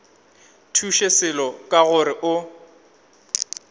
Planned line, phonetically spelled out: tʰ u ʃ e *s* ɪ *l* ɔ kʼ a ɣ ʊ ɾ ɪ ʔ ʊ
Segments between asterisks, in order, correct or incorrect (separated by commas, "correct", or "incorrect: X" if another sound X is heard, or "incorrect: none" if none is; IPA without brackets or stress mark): correct, correct